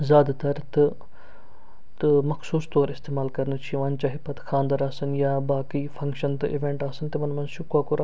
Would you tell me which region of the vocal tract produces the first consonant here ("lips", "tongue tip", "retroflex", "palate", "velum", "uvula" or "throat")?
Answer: tongue tip